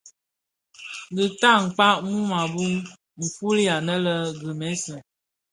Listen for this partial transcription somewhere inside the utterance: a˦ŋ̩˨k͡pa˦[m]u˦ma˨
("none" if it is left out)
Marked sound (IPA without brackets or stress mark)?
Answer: m